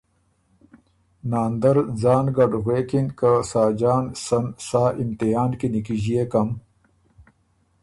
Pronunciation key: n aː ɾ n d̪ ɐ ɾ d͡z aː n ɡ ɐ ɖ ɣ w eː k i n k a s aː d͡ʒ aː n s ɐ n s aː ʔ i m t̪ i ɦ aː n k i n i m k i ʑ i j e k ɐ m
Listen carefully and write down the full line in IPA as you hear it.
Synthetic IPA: n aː n d̪ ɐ ɾ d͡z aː n ɡ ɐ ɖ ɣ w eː k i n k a s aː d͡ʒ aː n s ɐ n s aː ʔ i m t̪ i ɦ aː n k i n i k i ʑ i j e k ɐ m